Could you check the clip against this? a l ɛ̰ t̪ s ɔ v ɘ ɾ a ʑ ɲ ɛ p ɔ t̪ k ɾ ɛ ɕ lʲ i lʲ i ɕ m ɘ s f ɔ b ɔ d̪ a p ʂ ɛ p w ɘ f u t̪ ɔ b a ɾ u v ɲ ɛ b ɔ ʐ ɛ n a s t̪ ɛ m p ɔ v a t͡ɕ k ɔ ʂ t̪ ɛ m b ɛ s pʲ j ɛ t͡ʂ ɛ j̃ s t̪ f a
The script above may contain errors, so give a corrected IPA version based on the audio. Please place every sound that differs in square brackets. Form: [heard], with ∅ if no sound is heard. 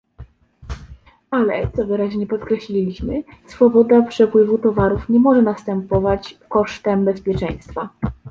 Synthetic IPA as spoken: a l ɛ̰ t̪ s ɔ v ɘ ɾ a ʑ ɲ ɛ p ɔ t̪ k ɾ ɛ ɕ lʲ i lʲ i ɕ m ɘ s f ɔ b ɔ d̪ a p ʂ ɛ p w ɘ [v] u t̪ ɔ [v] a ɾ u [f] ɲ ɛ [m] ɔ ʐ ɛ n a s t̪ ɛ m p ɔ v a t͡ɕ k ɔ ʂ t̪ ɛ m b ɛ s pʲ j ɛ t͡ʂ ɛ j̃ s t̪ f a